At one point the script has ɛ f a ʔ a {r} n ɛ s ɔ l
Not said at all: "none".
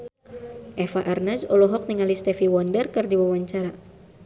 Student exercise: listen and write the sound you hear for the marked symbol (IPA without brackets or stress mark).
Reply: r